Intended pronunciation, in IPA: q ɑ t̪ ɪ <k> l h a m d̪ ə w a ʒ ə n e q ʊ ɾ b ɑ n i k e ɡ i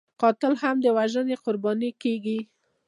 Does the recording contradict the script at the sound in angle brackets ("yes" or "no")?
yes